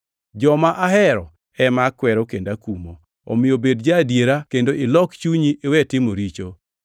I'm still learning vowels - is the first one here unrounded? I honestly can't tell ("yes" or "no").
no